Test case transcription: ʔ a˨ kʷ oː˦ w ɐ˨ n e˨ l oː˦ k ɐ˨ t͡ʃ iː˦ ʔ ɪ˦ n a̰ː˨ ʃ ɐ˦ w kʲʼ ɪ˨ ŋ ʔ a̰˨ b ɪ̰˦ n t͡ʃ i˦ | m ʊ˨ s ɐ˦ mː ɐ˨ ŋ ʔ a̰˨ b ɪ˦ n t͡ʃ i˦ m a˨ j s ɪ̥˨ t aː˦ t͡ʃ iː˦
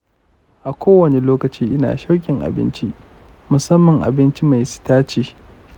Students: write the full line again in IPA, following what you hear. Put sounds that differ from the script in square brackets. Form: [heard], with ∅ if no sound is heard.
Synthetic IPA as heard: ʔ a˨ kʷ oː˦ w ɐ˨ n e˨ l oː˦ k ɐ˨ t͡ʃ iː˦ ʔ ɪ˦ n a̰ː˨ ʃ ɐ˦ w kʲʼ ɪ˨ ŋ ʔ a̰˨ b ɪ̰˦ n t͡ʃ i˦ | m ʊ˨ s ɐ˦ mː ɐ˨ ŋ ʔ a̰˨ b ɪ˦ n t͡ʃ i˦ m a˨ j s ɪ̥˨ t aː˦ t͡ʃ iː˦